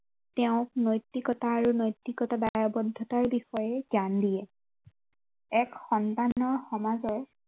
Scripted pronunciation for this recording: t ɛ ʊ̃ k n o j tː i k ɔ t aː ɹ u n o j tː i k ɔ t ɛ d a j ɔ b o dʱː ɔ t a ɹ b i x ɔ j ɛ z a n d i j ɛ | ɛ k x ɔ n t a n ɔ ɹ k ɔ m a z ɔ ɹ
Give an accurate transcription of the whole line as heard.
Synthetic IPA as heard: t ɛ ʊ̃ k n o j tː i k ɔ t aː ɹ u n o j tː i k ɔ t a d a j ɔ b ɔ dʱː ɔ t a ɹ b i x ɔ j ɛ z a n d i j ɛ | ɛ k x ɔ n t a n ɔ ɹ x ɔ m a z ɔ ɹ